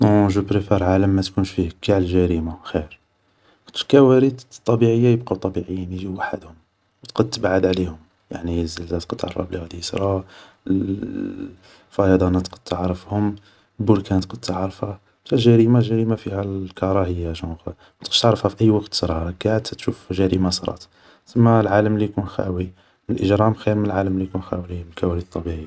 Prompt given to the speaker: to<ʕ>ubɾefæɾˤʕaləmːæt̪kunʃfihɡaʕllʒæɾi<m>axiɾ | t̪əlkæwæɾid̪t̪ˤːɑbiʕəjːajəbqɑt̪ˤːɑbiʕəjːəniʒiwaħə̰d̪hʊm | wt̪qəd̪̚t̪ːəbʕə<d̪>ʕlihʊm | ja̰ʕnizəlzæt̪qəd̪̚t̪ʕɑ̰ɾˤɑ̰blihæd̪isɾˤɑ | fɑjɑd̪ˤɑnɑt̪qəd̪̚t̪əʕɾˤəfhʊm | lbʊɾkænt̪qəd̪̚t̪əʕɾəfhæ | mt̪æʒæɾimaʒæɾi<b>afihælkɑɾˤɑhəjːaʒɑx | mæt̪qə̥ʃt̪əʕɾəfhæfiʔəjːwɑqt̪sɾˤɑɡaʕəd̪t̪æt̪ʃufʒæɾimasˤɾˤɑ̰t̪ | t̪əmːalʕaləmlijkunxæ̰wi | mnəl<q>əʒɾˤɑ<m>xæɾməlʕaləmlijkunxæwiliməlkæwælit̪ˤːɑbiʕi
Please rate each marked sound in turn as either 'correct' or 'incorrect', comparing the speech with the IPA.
incorrect: ʒ, correct, correct, incorrect: m, incorrect: ʔ, correct

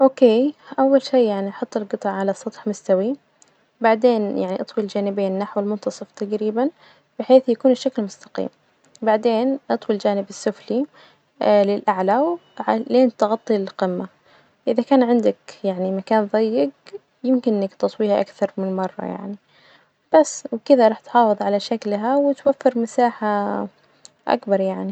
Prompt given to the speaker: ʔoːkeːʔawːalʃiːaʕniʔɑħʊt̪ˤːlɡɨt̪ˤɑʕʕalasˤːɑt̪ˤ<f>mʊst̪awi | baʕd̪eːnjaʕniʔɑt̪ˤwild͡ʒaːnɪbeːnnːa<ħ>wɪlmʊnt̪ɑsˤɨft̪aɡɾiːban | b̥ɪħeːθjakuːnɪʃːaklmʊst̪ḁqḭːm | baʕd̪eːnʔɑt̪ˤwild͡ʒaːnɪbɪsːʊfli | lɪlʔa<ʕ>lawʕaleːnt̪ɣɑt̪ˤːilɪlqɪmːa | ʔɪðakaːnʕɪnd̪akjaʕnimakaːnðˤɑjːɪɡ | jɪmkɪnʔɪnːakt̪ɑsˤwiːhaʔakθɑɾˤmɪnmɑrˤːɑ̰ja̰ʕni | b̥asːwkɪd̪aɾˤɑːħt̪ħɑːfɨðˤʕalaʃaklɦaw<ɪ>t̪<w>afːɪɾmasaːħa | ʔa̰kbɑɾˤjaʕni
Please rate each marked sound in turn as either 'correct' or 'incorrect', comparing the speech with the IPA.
incorrect: ħ, correct, correct, correct, correct

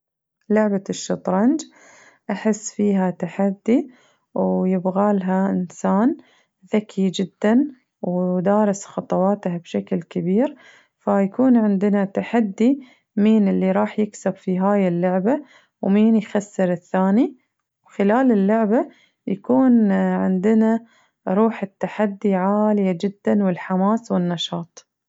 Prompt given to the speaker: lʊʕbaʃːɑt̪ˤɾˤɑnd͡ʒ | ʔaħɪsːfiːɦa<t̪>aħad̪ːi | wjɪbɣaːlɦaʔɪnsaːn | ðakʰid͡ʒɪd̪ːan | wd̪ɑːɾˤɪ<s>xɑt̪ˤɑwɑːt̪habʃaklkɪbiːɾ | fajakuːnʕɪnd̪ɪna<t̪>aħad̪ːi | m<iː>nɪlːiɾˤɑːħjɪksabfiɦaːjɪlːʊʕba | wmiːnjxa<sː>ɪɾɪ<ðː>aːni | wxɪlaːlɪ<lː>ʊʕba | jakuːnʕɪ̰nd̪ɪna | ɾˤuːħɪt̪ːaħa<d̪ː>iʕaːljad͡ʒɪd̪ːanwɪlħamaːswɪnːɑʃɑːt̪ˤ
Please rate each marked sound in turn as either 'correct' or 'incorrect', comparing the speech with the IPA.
correct, correct, correct, correct, correct, incorrect: θː, correct, correct

